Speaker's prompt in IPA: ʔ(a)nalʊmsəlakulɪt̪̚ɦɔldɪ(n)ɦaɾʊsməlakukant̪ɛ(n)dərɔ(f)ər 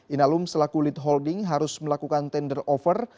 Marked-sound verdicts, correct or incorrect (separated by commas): incorrect, incorrect, correct, correct